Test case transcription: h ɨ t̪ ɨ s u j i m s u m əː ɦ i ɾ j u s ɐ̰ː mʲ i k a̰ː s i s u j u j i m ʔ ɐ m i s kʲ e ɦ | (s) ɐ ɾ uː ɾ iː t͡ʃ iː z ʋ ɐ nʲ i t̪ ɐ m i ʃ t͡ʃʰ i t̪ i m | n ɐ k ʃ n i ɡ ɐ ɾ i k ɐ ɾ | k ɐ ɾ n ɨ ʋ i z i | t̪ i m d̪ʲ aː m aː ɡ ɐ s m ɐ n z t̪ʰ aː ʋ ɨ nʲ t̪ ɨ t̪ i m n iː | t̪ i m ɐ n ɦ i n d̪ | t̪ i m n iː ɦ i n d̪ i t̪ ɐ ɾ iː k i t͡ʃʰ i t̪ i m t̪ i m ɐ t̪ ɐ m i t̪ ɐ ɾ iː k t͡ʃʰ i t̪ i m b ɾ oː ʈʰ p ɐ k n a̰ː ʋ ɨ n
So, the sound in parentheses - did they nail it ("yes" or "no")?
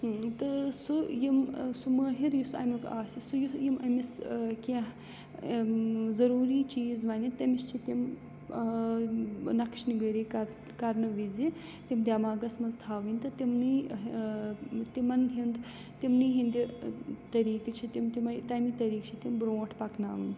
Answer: no